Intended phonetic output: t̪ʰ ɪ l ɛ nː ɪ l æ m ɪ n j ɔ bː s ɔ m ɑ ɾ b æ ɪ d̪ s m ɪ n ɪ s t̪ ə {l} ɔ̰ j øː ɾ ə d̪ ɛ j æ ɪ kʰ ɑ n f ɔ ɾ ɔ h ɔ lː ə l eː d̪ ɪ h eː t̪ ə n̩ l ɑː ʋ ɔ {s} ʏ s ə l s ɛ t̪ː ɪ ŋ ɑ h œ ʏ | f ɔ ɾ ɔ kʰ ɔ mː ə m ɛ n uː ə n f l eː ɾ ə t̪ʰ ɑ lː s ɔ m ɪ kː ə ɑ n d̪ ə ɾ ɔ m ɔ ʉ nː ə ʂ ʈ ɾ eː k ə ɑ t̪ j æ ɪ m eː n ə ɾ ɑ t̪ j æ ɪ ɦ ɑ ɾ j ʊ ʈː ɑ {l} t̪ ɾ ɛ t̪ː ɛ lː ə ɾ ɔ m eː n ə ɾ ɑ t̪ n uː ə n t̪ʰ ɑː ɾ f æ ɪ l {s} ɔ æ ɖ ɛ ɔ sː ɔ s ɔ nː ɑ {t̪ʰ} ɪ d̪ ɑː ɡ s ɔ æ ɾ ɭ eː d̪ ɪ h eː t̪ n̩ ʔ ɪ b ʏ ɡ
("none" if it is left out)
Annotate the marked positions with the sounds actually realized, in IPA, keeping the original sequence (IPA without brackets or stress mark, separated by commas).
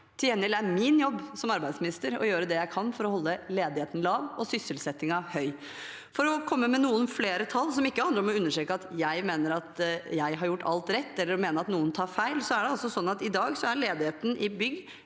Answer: ɾ, s, l, s, t̪